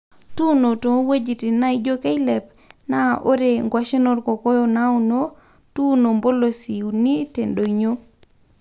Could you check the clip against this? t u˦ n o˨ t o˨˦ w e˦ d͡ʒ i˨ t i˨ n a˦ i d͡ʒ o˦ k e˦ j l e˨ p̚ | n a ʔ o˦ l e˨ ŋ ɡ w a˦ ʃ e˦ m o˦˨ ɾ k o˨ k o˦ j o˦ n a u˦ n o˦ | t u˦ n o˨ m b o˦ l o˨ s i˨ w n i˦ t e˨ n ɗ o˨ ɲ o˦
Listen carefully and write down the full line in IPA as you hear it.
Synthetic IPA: t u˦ n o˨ t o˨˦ w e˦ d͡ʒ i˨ t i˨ n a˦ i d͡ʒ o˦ k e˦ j l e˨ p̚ | n a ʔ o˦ ɾ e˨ ŋ ɡ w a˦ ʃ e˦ n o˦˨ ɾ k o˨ k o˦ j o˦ n a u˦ n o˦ | t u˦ n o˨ m b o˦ l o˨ s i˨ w n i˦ t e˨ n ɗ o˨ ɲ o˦